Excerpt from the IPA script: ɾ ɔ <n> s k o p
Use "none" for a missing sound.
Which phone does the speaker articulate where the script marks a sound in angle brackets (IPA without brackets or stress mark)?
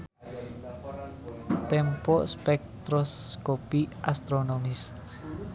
none